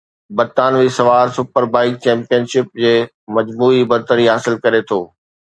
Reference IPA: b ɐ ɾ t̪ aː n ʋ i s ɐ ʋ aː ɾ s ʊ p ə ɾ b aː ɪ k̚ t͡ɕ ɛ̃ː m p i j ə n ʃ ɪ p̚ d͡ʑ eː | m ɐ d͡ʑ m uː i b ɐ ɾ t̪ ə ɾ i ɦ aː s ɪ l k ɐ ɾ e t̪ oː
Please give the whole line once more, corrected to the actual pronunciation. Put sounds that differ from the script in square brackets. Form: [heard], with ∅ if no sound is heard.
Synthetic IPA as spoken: b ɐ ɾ t̪ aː n ʋ i s ɐ ʋ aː ɾ s ʊ p ə ɾ b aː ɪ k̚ t͡ɕ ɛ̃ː m p i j ə n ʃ ɪ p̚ d͡ʑ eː | m ɐ d͡ʑ m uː i b ɐ ɾ t̪ ə ɾ i ɦ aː s ɪ l k ɐ ɾ e [t̪ʰ] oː